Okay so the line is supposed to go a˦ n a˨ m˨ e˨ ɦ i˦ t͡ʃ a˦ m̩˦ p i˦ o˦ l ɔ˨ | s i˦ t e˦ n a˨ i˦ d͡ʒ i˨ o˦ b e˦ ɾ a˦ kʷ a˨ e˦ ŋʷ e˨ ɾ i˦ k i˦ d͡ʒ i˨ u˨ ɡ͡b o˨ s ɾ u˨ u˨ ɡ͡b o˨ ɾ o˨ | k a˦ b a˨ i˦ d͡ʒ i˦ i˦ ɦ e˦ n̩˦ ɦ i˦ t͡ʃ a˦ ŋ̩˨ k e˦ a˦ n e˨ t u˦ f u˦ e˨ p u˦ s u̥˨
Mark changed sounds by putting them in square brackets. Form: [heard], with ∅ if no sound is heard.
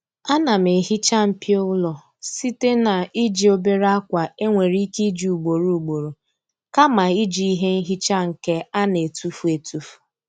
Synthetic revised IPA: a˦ n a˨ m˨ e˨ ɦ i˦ t͡ʃ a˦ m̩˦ p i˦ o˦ l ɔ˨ | s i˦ t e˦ n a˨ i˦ d͡ʒ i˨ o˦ b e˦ ɾ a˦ kʷ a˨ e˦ ŋʷ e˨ ɾ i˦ k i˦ d͡ʒ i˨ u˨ ɡ͡b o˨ [∅] ɾ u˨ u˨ ɡ͡b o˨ ɾ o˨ | k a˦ [m] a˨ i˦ d͡ʒ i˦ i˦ ɦ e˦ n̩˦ ɦ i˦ t͡ʃ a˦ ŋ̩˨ k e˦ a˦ n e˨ t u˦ f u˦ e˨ [t] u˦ [f] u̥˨